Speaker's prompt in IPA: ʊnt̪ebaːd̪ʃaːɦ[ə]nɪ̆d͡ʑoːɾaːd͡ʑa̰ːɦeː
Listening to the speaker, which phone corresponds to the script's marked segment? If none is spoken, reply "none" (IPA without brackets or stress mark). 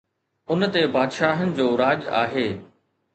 ə